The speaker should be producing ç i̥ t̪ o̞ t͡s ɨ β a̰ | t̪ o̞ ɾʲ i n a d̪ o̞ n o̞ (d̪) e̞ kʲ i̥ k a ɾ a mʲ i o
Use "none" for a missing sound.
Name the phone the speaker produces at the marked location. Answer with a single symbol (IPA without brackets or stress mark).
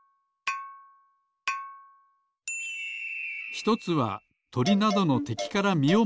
t̪